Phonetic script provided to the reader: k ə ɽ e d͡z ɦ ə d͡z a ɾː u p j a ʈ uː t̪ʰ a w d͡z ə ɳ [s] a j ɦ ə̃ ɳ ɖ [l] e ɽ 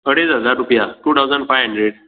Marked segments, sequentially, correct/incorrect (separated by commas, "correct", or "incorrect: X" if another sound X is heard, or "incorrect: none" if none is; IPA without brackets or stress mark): incorrect: f, incorrect: ɾ